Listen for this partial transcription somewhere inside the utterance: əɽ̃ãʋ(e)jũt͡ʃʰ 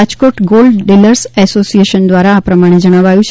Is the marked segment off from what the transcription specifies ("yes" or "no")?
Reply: yes